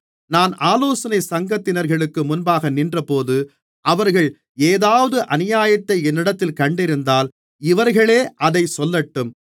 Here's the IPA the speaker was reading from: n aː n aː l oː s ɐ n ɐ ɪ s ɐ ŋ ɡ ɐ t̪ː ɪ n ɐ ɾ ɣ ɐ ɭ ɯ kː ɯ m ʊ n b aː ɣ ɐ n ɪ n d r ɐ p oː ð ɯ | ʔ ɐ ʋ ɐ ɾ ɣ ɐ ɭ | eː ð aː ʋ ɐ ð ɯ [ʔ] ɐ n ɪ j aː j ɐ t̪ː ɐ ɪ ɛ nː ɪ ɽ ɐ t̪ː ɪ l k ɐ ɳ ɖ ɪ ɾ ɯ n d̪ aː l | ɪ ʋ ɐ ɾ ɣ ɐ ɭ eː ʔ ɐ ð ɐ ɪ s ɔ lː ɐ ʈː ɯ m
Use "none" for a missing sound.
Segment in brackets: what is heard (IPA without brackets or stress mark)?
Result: ʔ